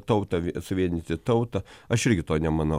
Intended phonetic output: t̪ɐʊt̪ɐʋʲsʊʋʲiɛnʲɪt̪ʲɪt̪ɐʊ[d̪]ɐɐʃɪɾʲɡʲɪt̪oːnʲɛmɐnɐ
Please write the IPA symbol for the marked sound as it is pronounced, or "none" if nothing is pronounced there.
t̪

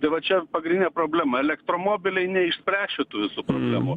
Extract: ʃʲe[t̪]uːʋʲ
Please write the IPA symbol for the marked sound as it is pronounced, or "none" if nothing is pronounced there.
t̪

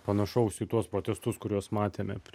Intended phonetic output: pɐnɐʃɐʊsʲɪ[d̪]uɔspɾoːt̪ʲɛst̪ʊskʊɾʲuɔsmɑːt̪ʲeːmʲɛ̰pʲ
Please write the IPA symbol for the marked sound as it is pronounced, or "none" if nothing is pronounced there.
t̪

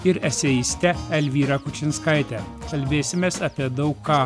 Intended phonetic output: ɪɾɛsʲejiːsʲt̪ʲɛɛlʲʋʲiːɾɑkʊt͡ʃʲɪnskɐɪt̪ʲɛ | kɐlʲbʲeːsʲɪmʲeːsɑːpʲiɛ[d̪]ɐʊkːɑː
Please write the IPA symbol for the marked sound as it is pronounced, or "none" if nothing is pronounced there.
d̪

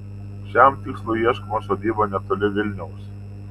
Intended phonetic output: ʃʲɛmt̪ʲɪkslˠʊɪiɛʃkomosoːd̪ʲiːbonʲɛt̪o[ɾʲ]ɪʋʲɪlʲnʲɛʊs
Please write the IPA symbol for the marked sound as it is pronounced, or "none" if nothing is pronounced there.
lʲ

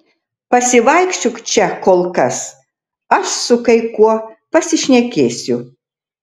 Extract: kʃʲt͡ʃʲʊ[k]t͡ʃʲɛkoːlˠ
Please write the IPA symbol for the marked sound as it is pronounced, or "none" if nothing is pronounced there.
k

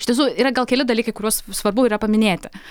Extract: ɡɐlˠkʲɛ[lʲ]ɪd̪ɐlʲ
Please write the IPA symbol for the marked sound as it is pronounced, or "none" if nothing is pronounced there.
lʲ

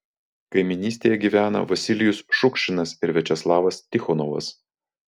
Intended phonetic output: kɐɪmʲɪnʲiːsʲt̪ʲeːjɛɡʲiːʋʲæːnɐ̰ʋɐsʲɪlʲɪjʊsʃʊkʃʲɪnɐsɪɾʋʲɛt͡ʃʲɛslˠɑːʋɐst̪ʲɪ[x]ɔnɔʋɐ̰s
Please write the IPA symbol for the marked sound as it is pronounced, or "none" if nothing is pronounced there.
x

